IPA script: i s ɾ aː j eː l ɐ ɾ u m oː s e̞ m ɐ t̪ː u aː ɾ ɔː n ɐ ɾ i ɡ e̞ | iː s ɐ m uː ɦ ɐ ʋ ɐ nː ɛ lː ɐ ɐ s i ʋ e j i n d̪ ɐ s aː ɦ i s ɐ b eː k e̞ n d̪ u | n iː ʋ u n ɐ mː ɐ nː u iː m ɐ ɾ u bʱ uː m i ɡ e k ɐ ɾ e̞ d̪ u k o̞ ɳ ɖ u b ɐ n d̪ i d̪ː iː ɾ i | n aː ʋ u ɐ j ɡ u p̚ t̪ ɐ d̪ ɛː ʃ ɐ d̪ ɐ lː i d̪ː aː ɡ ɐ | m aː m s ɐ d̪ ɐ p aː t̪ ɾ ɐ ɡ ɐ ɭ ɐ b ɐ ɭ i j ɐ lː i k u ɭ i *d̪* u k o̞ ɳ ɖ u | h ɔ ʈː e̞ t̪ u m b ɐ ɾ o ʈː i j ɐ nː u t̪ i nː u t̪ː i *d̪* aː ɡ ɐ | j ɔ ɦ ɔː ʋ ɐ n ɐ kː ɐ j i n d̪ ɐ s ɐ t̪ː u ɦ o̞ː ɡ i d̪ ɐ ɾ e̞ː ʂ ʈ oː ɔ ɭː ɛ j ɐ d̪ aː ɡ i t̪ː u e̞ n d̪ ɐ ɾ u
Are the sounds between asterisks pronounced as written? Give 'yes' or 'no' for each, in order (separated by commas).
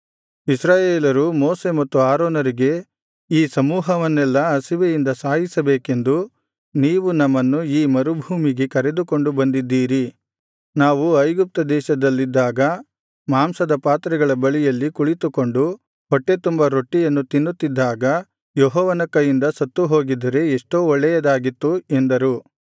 no, no